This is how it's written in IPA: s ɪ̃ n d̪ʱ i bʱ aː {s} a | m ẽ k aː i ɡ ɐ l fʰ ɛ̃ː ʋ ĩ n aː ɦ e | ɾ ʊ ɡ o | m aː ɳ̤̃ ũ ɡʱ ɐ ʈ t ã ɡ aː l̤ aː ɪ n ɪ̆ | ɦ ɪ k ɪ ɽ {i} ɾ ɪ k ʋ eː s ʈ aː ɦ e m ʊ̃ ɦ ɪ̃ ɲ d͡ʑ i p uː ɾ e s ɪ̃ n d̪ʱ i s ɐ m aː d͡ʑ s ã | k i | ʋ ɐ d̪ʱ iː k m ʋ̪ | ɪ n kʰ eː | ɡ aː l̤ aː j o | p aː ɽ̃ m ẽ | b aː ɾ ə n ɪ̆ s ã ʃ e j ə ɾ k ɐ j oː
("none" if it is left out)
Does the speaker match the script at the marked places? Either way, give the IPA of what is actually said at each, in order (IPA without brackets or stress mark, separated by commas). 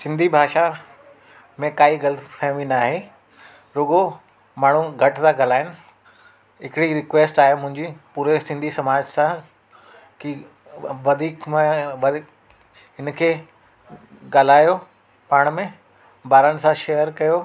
ʃ, i